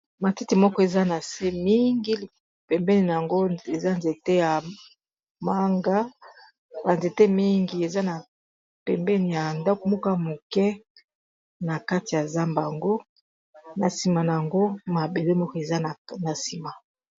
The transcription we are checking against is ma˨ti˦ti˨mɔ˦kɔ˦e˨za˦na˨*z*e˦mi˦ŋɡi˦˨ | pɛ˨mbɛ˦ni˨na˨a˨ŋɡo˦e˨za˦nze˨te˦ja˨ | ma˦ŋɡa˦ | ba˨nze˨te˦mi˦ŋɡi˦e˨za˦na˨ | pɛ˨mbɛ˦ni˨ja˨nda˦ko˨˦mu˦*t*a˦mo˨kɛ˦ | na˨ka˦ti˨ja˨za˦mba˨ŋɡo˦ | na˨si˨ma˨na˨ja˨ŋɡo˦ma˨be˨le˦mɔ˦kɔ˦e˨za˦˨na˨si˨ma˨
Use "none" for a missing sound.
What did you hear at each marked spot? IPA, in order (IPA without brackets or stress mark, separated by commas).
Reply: s, k